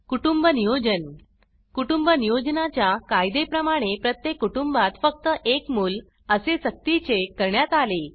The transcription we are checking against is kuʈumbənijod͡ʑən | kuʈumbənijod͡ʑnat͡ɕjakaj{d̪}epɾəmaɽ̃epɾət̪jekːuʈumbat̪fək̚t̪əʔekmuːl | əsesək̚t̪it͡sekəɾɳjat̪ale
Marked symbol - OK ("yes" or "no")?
yes